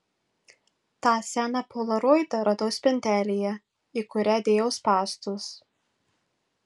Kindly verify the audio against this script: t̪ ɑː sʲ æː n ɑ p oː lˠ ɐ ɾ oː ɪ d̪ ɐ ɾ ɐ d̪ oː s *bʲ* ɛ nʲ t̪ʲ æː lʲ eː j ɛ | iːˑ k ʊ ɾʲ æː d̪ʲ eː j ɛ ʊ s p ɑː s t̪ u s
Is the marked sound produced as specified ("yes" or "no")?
no